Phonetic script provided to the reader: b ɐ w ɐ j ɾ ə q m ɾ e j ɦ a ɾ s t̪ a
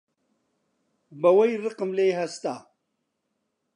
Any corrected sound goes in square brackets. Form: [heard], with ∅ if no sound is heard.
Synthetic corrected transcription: b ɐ w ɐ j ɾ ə q m [l] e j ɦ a [∅] s t̪ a